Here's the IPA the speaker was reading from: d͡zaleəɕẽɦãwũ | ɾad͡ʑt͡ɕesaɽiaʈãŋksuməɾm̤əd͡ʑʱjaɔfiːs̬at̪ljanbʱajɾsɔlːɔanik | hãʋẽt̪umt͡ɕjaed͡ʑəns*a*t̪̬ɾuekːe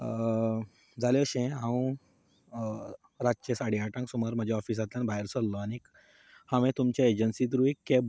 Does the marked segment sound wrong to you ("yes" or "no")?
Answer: yes